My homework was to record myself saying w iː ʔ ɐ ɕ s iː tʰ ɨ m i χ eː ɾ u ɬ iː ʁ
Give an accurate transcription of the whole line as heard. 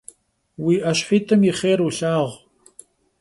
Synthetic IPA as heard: w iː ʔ ɐ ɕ ħ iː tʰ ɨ m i χ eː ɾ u ɬ aː ʁ